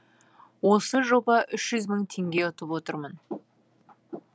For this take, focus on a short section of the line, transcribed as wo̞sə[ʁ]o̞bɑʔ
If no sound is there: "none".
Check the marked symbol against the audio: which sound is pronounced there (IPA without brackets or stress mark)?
ʒ